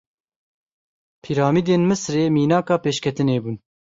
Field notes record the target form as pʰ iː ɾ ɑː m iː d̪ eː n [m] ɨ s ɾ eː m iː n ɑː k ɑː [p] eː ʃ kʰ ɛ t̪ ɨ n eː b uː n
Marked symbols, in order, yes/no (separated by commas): yes, yes